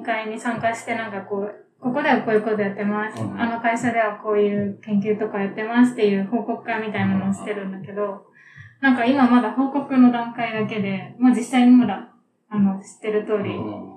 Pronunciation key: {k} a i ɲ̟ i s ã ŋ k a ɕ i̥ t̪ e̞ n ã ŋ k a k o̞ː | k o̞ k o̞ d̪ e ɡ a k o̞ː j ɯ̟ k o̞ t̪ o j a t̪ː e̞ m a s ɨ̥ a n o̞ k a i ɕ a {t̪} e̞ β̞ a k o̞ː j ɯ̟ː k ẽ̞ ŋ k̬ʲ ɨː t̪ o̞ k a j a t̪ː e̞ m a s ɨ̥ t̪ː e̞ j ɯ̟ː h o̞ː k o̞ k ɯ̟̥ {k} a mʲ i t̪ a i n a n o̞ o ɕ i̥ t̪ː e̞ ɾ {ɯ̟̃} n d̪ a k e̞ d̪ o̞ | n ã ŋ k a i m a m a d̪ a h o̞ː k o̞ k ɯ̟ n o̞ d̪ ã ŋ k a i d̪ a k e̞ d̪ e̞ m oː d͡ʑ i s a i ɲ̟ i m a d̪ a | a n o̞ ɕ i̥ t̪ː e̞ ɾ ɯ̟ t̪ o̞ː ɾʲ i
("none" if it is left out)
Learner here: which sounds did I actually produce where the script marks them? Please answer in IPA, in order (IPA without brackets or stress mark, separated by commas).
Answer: k, d̪, k, ɯ̟̃